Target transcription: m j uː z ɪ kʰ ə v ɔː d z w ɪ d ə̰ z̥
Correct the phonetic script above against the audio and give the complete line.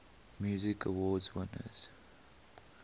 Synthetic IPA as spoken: m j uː z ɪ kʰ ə w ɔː d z w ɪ n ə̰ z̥